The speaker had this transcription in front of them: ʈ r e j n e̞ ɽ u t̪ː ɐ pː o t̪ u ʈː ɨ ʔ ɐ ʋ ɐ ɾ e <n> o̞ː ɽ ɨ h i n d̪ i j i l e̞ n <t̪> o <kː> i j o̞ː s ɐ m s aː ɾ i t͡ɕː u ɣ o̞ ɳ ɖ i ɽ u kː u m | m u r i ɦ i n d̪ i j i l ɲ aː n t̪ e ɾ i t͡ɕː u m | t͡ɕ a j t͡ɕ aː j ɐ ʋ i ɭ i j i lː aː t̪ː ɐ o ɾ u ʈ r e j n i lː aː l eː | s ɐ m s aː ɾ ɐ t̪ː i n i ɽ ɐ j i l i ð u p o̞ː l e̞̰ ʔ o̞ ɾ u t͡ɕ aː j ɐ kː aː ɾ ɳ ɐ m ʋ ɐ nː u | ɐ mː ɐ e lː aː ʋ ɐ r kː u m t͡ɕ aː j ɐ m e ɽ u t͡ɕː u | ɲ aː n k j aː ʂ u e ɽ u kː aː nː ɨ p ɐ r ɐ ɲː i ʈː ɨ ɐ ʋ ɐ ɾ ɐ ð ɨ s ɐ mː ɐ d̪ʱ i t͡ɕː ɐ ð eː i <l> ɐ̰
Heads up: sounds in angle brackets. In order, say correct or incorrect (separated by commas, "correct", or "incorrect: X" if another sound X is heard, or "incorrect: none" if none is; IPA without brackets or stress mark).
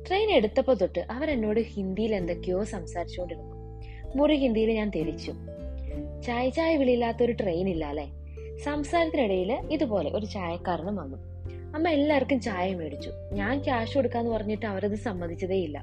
incorrect: nː, incorrect: d̪, correct, incorrect: lː